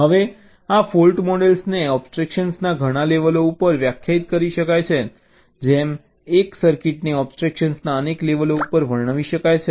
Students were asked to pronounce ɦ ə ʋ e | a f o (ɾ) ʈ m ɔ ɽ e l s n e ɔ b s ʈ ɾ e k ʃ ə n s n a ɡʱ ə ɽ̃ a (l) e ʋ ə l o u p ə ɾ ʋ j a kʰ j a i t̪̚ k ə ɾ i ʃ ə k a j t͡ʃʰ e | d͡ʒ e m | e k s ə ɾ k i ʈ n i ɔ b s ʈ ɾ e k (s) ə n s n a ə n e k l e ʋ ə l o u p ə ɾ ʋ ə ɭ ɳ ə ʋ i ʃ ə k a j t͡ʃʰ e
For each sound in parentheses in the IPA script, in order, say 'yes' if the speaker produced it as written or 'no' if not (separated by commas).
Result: no, yes, no